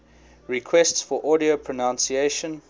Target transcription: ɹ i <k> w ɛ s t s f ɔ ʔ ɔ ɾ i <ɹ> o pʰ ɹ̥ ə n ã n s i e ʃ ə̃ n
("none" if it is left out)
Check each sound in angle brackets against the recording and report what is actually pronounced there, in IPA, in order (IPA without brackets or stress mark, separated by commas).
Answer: kʰ, none